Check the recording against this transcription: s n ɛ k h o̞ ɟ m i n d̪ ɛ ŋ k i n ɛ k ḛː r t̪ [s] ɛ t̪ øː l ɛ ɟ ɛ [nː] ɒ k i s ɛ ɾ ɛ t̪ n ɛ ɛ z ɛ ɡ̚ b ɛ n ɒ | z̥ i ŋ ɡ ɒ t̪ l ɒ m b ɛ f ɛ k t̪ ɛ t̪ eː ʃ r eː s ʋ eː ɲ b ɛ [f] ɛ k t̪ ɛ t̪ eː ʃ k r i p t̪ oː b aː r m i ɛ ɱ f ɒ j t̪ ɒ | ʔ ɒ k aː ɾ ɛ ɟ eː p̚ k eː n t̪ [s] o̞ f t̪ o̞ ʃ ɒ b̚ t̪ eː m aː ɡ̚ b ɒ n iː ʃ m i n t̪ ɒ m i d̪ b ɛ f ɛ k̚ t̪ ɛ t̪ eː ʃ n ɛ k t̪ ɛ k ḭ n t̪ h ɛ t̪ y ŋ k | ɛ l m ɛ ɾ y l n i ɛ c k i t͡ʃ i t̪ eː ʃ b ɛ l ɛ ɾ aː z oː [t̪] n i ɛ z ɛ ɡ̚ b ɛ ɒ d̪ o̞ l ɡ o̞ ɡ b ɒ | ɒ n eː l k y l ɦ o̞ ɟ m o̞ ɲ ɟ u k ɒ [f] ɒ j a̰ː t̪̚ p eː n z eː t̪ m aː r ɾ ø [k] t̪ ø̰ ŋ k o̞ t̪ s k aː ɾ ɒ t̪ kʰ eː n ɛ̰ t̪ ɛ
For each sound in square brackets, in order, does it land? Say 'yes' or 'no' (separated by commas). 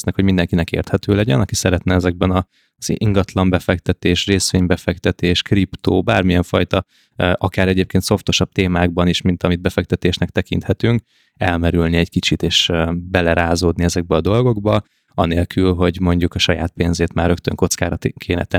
no, no, yes, yes, no, no, yes